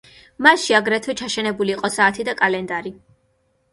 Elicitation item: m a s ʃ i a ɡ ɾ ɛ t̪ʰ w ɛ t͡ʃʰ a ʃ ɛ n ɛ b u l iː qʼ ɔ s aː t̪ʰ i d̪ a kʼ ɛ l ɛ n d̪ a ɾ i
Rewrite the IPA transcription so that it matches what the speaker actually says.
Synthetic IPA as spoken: m a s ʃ i a ɡ ɾ ɛ t̪ʰ w ɛ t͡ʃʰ a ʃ ɛ n ɛ b u l iː qʼ ɔ s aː t̪ʰ i d̪ a kʼ a l ɛ n d̪ a ɾ i